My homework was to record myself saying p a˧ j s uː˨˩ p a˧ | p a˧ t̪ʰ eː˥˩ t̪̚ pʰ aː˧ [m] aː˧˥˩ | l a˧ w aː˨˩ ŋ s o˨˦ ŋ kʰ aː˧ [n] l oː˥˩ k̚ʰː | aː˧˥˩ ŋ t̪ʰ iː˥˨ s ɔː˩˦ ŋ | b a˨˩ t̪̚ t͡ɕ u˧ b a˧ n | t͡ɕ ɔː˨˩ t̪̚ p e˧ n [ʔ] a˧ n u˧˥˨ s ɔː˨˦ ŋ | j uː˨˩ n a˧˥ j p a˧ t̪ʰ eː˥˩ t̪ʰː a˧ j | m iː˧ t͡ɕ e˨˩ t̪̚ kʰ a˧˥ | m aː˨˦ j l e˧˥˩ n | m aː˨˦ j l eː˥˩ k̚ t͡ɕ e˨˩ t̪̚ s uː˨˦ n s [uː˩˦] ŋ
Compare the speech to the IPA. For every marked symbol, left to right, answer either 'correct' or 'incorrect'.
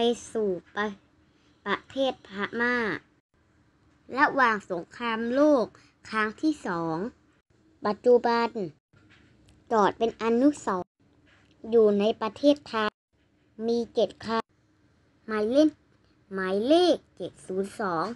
correct, incorrect, correct, incorrect

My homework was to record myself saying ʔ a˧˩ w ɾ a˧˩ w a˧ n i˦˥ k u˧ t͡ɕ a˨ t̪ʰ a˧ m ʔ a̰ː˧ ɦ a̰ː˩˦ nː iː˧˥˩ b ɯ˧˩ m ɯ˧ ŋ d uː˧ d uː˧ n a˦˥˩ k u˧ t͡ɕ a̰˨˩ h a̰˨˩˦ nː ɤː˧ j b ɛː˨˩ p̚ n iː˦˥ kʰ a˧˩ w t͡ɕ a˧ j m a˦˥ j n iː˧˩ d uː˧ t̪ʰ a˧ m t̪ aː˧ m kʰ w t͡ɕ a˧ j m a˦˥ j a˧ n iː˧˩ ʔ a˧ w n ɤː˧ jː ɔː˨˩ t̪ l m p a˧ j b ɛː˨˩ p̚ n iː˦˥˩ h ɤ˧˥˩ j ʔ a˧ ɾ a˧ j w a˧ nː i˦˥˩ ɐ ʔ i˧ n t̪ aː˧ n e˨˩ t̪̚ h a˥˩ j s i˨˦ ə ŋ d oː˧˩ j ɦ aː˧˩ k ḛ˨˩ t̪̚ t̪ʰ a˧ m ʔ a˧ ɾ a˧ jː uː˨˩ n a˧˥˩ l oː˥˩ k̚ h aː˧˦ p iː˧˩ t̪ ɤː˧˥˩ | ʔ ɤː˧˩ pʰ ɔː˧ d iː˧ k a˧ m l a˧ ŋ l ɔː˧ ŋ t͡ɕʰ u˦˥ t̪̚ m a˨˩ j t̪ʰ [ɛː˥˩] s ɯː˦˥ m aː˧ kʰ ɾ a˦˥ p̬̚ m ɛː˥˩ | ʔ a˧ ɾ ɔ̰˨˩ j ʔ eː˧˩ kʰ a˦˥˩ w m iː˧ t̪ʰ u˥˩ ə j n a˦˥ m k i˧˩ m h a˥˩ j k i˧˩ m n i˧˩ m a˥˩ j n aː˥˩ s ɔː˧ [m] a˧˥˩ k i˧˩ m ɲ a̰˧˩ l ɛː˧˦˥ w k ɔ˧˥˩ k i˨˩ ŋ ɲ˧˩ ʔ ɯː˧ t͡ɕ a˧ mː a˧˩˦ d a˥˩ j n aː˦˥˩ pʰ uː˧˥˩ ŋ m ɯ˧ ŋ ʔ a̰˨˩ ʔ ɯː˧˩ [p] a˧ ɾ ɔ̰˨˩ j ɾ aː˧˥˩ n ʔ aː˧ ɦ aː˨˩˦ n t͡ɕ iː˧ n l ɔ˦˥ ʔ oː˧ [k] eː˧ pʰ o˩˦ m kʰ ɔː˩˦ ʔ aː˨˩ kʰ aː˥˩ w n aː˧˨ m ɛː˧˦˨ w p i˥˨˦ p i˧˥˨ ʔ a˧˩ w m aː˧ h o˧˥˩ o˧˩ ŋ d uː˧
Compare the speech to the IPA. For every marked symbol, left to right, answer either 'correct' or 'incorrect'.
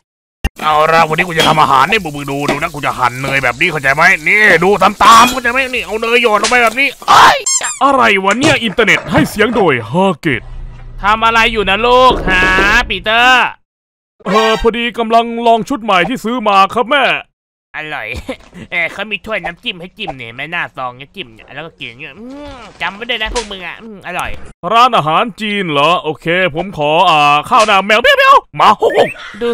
incorrect, incorrect, incorrect, incorrect

